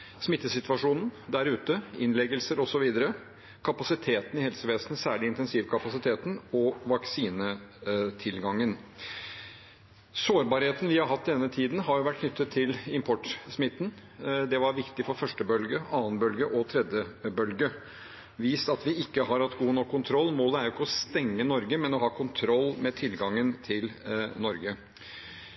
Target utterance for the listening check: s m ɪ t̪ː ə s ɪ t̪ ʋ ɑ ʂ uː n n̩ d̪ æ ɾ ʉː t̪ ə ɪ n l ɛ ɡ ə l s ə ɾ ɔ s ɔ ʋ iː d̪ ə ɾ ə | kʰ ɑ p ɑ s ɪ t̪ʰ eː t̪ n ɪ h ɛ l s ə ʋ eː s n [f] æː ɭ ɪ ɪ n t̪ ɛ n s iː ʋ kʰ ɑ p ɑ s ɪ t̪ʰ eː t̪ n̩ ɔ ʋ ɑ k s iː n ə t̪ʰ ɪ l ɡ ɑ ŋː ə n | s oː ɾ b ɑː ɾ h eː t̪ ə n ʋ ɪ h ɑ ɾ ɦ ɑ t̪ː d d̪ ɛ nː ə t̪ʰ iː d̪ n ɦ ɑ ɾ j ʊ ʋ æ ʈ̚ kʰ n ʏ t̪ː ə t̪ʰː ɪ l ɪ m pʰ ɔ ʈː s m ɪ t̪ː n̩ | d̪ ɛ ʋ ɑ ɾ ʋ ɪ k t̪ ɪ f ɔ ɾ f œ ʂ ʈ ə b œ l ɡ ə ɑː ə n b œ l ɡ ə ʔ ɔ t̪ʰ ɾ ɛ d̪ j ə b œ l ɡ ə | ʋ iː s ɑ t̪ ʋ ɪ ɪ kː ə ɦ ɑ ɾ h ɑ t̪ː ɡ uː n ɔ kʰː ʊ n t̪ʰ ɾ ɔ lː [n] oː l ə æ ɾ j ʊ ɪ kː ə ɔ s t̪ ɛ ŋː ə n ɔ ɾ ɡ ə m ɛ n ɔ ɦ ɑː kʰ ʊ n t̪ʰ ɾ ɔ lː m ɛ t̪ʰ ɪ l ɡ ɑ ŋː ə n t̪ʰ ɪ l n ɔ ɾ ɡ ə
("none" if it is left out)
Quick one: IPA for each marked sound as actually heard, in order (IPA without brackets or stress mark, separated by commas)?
s, m